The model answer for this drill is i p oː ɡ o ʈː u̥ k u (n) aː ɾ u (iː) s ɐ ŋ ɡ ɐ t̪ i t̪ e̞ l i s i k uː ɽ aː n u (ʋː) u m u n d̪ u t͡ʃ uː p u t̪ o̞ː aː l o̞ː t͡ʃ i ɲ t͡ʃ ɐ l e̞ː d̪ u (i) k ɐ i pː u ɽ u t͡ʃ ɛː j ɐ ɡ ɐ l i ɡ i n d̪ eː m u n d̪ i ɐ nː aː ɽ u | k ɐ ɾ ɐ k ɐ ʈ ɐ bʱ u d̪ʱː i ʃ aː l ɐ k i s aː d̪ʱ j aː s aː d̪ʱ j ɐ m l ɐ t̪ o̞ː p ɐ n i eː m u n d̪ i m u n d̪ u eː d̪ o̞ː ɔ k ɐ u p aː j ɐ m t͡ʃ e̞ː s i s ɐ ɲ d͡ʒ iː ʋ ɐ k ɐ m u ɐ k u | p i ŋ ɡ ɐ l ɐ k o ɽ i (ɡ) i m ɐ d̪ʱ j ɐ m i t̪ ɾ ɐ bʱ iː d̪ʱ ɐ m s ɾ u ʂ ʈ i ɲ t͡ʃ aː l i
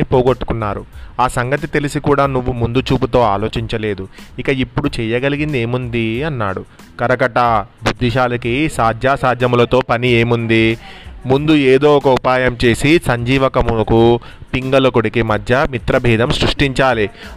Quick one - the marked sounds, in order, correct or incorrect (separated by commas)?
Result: incorrect, incorrect, correct, correct, incorrect